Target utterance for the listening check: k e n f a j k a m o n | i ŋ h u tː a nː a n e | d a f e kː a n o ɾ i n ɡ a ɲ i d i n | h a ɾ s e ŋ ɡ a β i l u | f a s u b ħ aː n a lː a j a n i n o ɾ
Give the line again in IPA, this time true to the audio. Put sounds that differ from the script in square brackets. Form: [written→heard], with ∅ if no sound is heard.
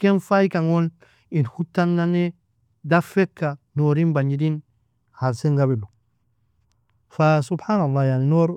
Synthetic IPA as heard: k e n f a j k a [m→ŋ] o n | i [ŋ→n] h u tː a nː a n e | d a f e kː a n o ɾ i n [ɡ→b] a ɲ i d i n | h a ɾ s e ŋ ɡ a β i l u | f a s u b ħ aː n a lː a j a n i n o ɾ